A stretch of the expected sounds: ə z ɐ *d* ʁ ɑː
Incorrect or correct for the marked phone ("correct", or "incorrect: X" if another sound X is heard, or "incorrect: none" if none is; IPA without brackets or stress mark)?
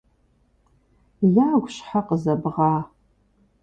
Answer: incorrect: b